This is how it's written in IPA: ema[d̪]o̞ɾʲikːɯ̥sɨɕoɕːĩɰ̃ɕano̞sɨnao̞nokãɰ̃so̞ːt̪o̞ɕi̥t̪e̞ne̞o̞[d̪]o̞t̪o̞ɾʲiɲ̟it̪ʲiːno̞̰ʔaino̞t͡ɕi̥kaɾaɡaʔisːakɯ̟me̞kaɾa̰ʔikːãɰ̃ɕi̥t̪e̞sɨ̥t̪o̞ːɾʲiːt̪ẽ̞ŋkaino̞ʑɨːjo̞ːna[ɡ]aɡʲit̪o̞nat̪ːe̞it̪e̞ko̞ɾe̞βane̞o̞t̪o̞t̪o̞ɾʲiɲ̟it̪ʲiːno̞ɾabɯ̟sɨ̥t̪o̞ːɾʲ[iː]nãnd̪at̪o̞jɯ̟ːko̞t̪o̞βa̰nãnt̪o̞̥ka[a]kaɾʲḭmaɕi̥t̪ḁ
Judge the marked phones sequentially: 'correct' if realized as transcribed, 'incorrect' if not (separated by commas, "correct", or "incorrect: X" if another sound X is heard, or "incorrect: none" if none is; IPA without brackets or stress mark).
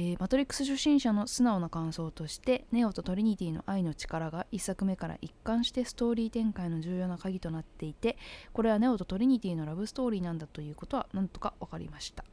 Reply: incorrect: t̪, incorrect: t̪, incorrect: k, correct, correct